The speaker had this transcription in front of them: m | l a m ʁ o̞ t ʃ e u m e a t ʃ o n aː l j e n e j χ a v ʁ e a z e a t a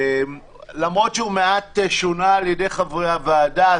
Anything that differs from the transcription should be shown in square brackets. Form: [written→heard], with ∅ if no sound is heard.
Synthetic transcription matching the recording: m | l a m ʁ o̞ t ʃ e u m e a t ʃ o n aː l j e [n→d] e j χ a v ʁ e a [z→v] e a [t→d] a